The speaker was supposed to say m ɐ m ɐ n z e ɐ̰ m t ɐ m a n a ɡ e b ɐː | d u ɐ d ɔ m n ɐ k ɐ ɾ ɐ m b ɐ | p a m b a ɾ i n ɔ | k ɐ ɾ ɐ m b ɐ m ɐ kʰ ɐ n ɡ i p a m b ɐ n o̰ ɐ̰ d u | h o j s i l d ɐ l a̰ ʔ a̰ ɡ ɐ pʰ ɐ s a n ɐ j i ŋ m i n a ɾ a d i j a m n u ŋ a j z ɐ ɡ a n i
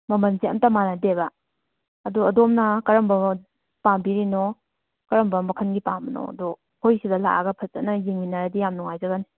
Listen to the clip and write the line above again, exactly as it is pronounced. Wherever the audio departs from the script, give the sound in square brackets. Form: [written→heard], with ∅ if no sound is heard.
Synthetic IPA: m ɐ m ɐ n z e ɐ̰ m t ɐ m a n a [ɡ→d] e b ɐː | d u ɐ d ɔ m n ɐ k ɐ ɾ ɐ m b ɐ | p a m b [a→i] ɾ i n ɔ | k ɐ ɾ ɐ m b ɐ m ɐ kʰ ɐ n ɡ i p a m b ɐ n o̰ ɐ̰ d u | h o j s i [l→∅] d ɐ l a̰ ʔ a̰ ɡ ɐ pʰ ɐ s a n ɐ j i ŋ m i n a ɾ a d i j a m n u ŋ a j z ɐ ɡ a n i